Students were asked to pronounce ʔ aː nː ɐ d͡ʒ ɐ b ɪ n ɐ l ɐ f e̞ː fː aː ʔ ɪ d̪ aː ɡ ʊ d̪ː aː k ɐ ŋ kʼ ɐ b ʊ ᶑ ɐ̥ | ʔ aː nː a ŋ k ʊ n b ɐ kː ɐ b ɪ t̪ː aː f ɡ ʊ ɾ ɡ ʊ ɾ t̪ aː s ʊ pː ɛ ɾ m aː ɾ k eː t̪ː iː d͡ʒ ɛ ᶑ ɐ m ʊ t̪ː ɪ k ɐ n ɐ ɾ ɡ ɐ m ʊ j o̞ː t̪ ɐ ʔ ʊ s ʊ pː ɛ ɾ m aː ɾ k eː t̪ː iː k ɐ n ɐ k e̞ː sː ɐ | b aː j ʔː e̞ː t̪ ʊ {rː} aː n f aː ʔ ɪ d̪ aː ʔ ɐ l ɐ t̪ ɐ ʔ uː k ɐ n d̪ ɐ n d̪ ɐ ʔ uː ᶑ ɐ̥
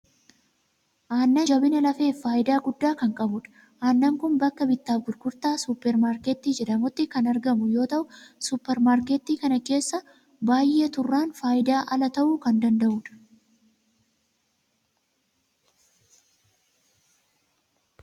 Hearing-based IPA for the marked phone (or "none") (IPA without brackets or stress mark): rː